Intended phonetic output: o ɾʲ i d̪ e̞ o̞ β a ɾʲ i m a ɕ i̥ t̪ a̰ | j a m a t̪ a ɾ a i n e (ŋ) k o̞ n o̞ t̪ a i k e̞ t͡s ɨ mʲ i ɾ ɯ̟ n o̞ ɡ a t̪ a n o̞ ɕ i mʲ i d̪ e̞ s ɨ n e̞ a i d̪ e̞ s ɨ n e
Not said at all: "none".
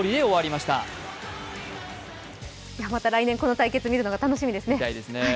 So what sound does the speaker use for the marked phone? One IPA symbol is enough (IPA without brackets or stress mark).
ŋ